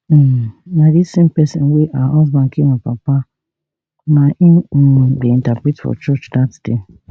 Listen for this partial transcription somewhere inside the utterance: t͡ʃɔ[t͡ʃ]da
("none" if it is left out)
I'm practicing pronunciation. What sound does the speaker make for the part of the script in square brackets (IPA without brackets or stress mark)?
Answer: t͡ʃ